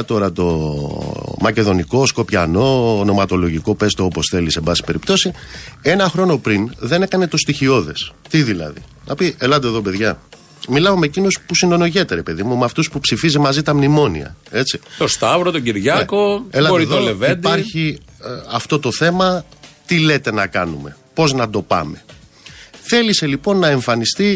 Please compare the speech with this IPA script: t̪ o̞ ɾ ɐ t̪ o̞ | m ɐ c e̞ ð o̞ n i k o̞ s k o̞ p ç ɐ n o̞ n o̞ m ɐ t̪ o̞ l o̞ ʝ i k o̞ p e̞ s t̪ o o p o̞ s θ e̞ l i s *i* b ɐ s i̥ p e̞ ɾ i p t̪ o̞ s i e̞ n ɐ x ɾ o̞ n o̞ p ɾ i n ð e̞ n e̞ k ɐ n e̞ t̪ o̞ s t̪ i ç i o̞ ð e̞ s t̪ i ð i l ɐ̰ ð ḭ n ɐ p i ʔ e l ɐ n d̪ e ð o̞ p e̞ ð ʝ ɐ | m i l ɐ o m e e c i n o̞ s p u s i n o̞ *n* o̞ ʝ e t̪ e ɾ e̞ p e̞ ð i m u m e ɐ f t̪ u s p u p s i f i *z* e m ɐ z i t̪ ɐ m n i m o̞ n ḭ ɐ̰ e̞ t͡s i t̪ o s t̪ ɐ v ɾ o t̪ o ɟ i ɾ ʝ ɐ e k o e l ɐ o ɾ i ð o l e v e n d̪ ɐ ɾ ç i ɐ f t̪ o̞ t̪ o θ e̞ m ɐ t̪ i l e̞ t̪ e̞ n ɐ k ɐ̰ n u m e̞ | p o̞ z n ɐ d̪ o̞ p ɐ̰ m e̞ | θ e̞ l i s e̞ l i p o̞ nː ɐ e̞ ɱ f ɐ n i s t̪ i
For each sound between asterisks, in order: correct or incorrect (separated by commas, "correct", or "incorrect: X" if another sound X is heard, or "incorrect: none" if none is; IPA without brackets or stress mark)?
incorrect: e, correct, correct